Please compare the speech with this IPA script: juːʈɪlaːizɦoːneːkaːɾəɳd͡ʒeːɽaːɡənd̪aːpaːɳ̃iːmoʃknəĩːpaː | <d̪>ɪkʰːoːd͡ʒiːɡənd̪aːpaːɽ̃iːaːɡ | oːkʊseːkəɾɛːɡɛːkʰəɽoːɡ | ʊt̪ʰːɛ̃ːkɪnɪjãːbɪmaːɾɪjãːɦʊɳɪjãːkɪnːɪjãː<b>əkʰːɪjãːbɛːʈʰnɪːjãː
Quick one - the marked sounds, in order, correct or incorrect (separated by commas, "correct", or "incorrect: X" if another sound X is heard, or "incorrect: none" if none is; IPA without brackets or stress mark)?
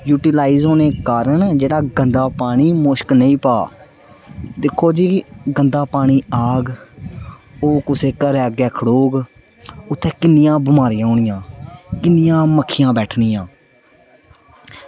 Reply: correct, incorrect: m